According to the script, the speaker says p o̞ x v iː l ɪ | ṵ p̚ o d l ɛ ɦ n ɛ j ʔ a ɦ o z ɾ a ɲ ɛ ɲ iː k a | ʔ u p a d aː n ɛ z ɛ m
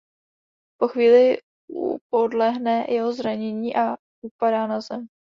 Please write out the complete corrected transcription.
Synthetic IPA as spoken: p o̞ x v iː l ɪ | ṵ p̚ o d l ɛ ɦ n ɛ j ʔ ɛ ɦ o z ɾ a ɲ ɛ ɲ iː ʔ a | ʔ u p a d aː n a z ɛ m